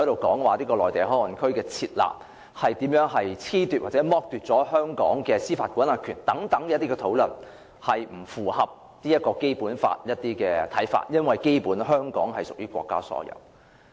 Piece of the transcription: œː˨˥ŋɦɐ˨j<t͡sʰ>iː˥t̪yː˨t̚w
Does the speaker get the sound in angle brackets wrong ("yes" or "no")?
no